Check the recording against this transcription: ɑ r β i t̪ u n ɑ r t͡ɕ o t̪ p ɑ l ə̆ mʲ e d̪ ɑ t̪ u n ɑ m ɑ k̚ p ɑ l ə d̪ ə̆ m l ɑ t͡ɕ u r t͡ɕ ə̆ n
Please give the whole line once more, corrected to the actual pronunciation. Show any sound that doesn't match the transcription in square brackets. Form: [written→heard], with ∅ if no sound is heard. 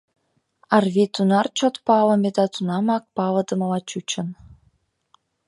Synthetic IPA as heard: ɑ r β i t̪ u n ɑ r t͡ɕ o t̪ p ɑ l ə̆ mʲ e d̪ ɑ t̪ u n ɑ m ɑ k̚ p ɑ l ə d̪ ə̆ m l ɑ t͡ɕ u [r→∅] t͡ɕ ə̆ n